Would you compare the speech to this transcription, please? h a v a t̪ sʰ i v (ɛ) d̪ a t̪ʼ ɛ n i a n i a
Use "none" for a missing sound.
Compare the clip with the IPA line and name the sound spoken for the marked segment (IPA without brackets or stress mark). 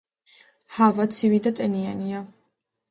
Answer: i